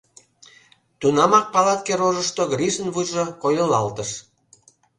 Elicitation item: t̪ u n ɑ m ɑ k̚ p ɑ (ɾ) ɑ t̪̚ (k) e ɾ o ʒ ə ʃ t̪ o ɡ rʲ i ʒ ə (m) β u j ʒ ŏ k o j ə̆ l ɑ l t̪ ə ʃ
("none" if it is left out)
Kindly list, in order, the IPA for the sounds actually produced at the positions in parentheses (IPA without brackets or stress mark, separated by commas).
l, k, n